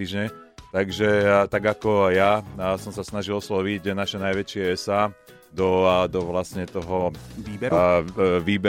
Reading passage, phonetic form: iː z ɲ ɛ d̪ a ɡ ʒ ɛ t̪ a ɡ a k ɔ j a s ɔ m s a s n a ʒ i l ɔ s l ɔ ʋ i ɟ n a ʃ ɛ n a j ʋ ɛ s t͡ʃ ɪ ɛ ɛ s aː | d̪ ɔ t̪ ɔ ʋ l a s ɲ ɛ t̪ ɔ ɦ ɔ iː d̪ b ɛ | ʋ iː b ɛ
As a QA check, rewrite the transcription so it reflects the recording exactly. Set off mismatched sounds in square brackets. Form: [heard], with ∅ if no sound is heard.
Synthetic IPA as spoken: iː [ʒ] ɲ ɛ [t̪] a ɡ ʒ ɛ t̪ a ɡ a k ɔ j a s ɔ m s a s n a ʒ i l ɔ s l ɔ ʋ i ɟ n a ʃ ɛ n a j ʋ ɛ [∅] t͡ʃ ɪ ɛ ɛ s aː | d̪ ɔ [d̪] ɔ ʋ l a s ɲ ɛ t̪ ɔ ɦ ɔ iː [∅] b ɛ | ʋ iː b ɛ